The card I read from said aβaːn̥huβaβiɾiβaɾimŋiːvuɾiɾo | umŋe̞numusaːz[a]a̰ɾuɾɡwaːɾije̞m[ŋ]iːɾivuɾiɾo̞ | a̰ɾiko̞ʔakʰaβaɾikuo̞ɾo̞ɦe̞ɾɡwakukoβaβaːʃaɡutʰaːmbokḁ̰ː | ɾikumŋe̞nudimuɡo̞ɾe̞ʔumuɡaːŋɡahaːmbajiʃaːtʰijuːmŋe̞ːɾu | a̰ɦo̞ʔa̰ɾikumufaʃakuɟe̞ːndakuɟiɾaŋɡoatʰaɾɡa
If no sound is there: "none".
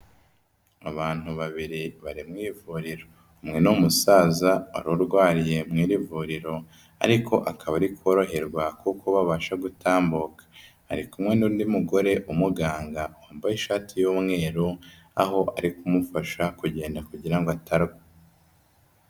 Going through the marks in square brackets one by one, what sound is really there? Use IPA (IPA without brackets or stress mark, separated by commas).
a, ŋ